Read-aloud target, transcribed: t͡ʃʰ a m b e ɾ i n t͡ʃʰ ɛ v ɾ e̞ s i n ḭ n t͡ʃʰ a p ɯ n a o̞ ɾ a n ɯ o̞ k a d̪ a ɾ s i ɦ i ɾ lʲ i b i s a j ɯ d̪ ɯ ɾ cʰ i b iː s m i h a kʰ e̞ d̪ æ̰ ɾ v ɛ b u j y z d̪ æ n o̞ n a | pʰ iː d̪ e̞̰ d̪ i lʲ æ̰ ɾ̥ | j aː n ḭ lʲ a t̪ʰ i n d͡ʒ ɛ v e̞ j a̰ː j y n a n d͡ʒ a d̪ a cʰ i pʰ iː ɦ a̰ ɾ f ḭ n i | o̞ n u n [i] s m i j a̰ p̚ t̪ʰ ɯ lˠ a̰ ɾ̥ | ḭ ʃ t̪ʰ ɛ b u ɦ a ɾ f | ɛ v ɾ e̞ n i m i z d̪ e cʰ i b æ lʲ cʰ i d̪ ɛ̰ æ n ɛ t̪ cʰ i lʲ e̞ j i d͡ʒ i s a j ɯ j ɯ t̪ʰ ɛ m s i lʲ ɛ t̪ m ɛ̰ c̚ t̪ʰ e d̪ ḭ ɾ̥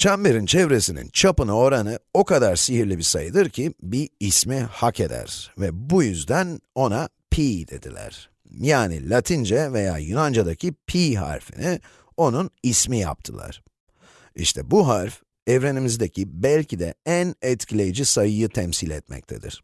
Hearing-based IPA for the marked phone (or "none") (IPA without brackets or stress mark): i